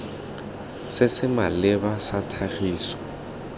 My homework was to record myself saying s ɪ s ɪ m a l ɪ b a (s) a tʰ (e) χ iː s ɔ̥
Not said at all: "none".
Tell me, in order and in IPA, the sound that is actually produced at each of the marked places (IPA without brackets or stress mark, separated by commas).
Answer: s, a